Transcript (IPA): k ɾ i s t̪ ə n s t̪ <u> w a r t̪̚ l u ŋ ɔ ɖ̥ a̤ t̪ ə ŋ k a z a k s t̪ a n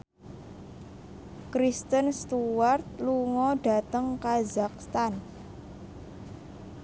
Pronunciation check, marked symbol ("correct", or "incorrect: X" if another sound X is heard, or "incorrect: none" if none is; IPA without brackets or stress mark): correct